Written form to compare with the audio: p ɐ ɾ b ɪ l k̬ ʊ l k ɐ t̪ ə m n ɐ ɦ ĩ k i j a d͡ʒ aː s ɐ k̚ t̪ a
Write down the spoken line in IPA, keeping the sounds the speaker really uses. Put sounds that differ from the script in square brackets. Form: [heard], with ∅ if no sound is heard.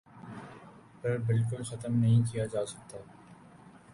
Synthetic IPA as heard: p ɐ ɾ b ɪ l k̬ ʊ l [x] ɐ t̪ ə m n ɐ ɦ ĩ k i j a d͡ʒ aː s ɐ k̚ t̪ a